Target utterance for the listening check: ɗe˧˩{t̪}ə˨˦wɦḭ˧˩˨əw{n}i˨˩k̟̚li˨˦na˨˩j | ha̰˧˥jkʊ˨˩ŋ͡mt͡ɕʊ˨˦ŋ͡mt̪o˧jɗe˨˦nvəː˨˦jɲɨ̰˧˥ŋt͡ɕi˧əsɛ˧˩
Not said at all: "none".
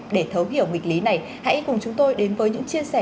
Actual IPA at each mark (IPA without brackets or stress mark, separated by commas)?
t̪ʰ, ŋ